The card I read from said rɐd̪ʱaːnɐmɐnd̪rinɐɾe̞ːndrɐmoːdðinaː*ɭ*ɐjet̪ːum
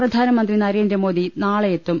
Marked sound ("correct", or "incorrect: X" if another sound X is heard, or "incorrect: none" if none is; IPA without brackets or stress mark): correct